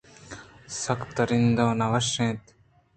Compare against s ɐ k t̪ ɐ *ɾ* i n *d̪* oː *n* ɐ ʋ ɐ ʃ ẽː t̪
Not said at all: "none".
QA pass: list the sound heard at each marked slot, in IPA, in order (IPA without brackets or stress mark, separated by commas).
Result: ɾ, d̪, n